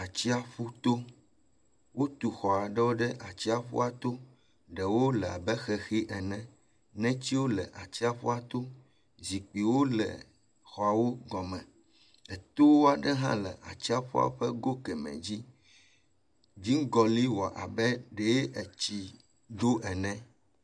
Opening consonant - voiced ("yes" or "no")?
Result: no